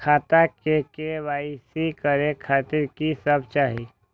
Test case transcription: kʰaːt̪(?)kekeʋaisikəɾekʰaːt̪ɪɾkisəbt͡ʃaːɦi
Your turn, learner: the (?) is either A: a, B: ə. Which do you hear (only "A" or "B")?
A